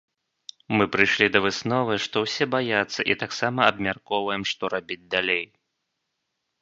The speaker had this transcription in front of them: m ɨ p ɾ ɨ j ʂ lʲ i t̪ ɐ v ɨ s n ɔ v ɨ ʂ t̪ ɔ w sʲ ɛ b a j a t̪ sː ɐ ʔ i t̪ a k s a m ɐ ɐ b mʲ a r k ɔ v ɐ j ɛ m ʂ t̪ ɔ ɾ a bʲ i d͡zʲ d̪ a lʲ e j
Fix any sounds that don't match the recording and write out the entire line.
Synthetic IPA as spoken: m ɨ p ɾ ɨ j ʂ lʲ i d̪ ɐ v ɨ s n ɔ v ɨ ʂ t̪ ɔ w sʲ ɛ b a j a t̪ sː ɐ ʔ i t̪ a k s a m ɐ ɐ b mʲ a r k ɔ v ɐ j ɛ m ʂ t̪ ɔ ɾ a bʲ i d͡zʲ d̪ a lʲ e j